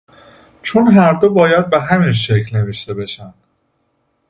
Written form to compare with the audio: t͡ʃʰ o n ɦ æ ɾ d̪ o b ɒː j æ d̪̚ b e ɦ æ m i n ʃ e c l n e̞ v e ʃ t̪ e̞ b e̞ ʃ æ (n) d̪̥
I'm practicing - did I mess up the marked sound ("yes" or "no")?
no